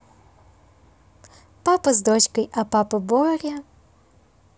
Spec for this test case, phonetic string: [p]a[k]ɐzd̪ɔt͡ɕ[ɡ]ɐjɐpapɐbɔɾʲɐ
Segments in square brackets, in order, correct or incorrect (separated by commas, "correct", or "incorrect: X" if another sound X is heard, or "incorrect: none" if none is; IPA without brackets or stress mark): correct, incorrect: p, incorrect: k